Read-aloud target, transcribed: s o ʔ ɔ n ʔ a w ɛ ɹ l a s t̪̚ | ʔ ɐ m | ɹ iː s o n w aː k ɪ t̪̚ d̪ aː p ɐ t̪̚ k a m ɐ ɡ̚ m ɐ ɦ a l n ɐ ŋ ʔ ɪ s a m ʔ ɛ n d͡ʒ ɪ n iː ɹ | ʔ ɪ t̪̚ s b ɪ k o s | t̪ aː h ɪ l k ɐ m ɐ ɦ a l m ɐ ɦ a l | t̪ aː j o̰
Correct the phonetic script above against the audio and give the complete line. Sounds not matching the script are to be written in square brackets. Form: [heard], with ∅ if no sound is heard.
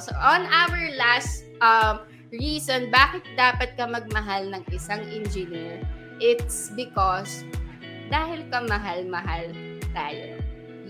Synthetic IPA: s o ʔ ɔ n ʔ a w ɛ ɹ l a s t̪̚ | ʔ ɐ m | ɹ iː s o n [b] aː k ɪ t̪̚ d̪ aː p ɐ t̪̚ k [ɐ] m ɐ ɡ̚ m ɐ ɦ a l n ɐ ŋ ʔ ɪ s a [ŋ] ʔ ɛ n d͡ʒ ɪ n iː ɹ | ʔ ɪ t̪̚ s b ɪ k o s | [d̪] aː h ɪ l k ɐ m ɐ ɦ a l m ɐ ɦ a l | t̪ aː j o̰